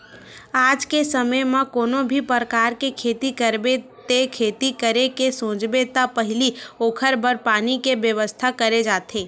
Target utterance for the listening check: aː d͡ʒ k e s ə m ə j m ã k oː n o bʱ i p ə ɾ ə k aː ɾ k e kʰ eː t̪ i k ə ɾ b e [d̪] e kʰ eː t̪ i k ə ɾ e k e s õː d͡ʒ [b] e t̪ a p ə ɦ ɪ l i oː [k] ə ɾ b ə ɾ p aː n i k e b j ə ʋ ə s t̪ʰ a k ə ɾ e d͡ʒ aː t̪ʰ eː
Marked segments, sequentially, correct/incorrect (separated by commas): incorrect, correct, incorrect